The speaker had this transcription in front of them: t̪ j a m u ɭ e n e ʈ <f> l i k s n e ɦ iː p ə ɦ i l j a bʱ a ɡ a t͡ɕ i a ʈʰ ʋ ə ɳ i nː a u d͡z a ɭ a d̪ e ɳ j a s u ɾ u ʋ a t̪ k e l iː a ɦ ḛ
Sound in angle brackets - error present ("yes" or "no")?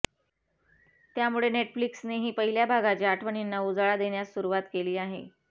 no